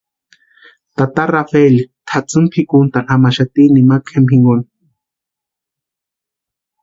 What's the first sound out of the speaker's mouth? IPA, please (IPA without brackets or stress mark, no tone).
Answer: t̪